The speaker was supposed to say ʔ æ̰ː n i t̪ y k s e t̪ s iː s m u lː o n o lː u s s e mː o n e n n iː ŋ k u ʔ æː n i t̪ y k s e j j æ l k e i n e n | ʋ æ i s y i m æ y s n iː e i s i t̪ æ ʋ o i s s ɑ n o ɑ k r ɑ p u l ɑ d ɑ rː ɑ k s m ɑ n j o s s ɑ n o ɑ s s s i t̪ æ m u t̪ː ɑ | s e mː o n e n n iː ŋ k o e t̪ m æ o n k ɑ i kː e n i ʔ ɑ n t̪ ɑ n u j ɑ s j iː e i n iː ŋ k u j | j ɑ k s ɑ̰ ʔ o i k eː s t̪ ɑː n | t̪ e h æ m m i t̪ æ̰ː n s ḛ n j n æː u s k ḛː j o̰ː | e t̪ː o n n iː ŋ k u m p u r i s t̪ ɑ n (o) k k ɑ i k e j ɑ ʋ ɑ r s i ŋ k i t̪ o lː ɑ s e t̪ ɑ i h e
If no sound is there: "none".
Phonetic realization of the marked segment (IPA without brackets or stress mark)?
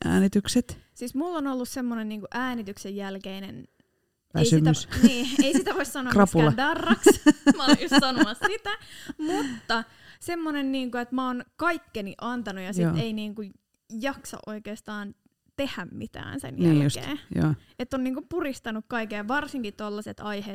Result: u